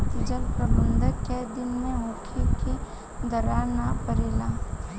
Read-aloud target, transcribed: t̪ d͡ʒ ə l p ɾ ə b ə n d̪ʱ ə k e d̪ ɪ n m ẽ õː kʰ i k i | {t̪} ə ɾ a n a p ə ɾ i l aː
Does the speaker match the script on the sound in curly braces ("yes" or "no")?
no